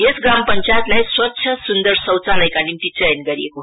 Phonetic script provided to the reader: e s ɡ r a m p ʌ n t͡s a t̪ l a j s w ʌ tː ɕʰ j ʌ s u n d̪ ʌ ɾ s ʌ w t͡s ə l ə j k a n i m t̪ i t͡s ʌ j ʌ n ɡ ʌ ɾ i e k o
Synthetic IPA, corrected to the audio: e s ɡ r a m p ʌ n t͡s a t̪ l a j s w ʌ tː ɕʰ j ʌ s u n d̪ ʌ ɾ s ʌ w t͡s a l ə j k a n i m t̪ i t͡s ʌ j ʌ n ɡ ʌ ɾ i e k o